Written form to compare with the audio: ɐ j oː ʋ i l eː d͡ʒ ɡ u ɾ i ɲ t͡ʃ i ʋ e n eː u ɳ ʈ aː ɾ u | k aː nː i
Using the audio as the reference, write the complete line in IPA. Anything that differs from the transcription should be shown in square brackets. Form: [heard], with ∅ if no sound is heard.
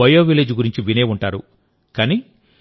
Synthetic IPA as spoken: ɐ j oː ʋ i l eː d͡ʒ ɡ u ɾ i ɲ t͡ʃ i ʋ [i] n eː u ɳ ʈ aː ɾ u | k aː [n] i